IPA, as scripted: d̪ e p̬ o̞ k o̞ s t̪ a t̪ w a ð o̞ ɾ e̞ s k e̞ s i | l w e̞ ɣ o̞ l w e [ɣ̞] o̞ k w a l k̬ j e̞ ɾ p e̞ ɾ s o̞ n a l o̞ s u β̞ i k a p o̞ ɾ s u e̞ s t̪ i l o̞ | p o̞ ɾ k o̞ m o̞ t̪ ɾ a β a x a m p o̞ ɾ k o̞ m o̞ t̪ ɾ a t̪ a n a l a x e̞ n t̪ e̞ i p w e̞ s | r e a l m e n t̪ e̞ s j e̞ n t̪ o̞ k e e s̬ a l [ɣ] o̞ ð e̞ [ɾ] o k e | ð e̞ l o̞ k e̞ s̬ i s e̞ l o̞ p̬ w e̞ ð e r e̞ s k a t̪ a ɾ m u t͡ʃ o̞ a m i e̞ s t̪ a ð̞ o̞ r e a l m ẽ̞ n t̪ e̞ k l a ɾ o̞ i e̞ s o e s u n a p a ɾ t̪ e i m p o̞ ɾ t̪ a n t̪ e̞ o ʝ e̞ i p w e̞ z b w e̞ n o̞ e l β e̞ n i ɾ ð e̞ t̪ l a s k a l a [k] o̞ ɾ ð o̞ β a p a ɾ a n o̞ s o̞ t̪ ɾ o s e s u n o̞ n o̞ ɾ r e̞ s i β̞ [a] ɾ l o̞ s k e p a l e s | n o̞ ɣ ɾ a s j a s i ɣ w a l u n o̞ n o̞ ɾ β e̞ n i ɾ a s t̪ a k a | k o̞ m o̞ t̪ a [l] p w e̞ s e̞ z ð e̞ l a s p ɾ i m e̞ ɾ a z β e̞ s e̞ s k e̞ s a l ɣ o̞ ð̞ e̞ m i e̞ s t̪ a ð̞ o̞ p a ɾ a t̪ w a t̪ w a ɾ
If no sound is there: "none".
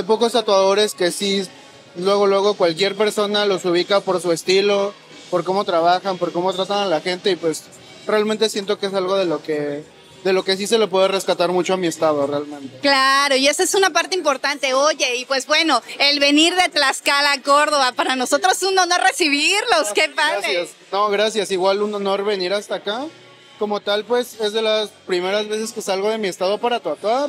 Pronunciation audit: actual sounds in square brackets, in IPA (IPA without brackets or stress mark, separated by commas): ɣ̞, ɣ, l, k, i, l